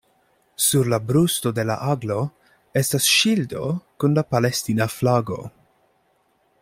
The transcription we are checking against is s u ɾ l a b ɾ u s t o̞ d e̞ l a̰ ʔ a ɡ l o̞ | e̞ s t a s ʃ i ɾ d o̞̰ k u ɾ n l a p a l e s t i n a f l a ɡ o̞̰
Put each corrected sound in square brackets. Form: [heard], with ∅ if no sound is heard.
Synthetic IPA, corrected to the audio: s u ɾ l a b ɾ u s t o̞ d e̞ l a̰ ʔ a ɡ l o̞ | e̞ s t a s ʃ i [l] d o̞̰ k u [∅] n l a p a l e s t i n a f l a ɡ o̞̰

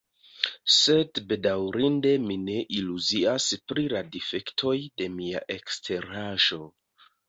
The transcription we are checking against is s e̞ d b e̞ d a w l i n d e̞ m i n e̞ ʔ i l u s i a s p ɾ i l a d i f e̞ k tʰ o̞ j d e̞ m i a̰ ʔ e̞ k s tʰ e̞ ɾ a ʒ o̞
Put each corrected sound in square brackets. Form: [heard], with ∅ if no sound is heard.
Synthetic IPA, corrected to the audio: s e̞ d b e̞ d a w [ɾ] i n d e̞ m i n e̞ ʔ i l u [z] i a s p ɾ i l a d i f e̞ k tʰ o̞ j d e̞ m i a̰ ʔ e̞ k s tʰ e̞ ɾ a ʒ o̞

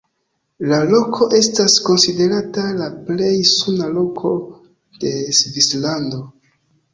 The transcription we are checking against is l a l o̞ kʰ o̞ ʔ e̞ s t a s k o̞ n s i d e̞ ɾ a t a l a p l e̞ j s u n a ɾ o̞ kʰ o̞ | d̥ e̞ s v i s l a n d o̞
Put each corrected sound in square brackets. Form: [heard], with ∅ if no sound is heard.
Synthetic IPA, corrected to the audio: l a l o̞ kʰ o̞ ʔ e̞ s t a s k o̞ n s i d e̞ ɾ a t a l a p l e̞ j s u n a [l] o̞ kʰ o̞ | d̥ e̞ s v i s l a n d o̞

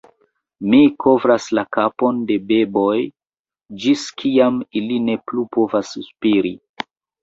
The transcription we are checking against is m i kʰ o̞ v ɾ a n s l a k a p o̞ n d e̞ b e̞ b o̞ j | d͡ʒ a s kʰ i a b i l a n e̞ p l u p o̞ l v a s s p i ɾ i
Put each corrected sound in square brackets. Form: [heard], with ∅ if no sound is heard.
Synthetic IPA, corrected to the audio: m i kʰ o̞ v ɾ a [∅] s l a k a p o̞ n d e̞ b e̞ b o̞ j | d͡ʒ [i] s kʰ i a [m] i l [i] n e̞ p l u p o̞ [∅] v a s s p i ɾ i

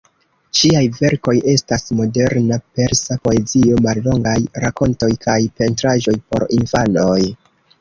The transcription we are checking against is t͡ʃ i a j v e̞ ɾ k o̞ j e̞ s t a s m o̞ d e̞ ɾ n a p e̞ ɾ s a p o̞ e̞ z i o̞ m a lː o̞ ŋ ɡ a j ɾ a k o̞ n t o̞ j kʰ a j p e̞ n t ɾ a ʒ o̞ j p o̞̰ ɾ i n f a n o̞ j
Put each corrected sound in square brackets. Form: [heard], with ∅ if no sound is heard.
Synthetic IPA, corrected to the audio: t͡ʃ i a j v e̞ ɾ k o̞ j e̞ s t a s m o̞ d e̞ ɾ n a p e̞ ɾ s a p o̞ e̞ z i o̞ m a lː o̞ ŋ ɡ a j ɾ a k o̞ n t o̞ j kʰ a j p e̞ n t ɾ a ʒ o̞ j p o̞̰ ɾ i n f a n o̞ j

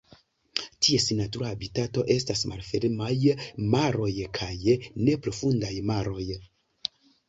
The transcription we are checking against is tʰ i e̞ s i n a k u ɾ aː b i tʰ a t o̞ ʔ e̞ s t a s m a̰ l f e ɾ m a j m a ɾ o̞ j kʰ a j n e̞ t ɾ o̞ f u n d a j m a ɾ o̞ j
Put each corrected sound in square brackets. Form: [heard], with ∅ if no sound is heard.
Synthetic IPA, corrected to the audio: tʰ i e̞ s i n a [t] u ɾ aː b i [t] a t o̞ ʔ e̞ s t a s m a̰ l f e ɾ m a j m a ɾ o̞ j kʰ a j n e̞ [p] ɾ o̞ f u n d a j m a ɾ o̞ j

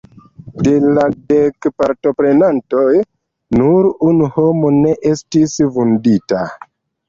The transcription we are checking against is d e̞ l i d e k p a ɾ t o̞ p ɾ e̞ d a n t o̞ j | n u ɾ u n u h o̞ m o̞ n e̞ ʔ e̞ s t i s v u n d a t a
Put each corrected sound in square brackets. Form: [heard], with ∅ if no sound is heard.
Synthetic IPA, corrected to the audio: d e̞ l [a] d e k p a ɾ t o̞ p ɾ e̞ [n] a n t o̞ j | n u ɾ u n u h o̞ m o̞ n e̞ ʔ e̞ s t i s v u n d [i] t a

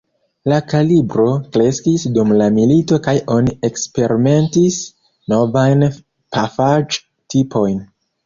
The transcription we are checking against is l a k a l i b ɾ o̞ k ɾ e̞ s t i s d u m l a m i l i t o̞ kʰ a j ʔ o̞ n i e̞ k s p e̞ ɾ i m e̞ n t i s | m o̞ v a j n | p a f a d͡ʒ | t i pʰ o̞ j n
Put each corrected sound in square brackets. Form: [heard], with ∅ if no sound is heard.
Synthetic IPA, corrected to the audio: l a k a l i b ɾ o̞ k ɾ e̞ s [k] i s d u m l a m i l i t o̞ [k] a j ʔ o̞ n i e̞ k s p e̞ ɾ i m e̞ n t i s | [n] o̞ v a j n | p a f a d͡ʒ | t i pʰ o̞ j n

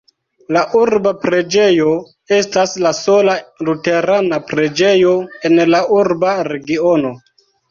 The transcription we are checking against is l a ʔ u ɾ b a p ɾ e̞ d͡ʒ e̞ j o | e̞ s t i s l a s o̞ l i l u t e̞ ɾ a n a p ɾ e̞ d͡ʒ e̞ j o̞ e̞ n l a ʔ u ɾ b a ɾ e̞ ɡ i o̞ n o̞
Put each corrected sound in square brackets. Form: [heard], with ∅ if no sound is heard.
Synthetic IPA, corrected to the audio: l a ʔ u ɾ b a p ɾ e̞ d͡ʒ e̞ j o | e̞ s t [a] s l a s o̞ l [a] l u t e̞ ɾ a n a p ɾ e̞ d͡ʒ e̞ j o̞ e̞ n l a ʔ u ɾ b a ɾ e̞ ɡ i o̞ n o̞

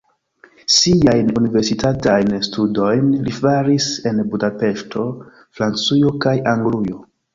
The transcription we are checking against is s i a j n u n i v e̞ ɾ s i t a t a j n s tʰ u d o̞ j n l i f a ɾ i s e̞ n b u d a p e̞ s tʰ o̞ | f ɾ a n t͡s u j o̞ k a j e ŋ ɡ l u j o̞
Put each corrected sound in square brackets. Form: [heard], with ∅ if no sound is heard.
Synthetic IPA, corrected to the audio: s i a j n u n i v e̞ ɾ s i t a t a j n s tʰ u d o̞ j n l i f a ɾ i s e̞ n b u d a p e̞ [ʃ] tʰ o̞ | f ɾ a n t͡s u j o̞ k a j [a] ŋ ɡ l u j o̞

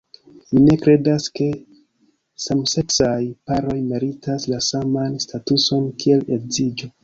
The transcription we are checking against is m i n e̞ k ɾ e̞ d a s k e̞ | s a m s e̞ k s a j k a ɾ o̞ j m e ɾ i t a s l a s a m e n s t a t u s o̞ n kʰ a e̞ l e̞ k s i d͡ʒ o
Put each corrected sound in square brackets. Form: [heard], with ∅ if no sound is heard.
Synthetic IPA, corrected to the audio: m i n e̞ k ɾ e̞ d a s k e̞ | s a m s e̞ k s a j [p] a ɾ o̞ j m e ɾ i t a s l a s a m [a] n s t a t u s o̞ n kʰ [i] e̞ l e̞ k [z] i d͡ʒ o

